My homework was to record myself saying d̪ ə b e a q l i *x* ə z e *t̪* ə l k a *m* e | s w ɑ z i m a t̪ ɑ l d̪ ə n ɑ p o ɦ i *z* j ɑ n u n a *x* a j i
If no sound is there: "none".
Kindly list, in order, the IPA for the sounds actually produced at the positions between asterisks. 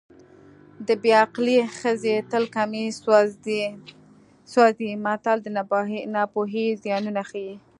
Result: x, t̪, m, z, x

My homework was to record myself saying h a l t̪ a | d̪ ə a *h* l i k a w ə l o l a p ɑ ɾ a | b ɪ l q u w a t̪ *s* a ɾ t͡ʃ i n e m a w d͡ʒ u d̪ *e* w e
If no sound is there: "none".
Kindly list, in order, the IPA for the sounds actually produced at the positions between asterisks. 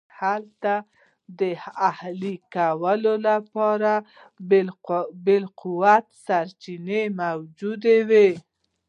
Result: h, s, e

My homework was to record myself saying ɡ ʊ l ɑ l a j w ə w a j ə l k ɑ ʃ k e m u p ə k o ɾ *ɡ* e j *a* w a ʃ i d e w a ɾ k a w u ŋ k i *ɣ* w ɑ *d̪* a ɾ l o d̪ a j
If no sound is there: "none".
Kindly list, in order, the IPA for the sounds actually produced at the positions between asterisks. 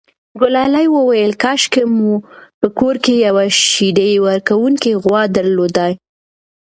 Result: k, a, ɣ, d̪

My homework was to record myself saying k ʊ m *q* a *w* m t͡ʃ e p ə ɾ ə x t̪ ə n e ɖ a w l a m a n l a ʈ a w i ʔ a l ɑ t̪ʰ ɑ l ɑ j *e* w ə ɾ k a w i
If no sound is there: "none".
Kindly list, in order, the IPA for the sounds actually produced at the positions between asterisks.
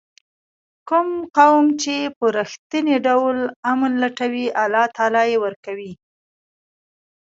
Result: q, w, e

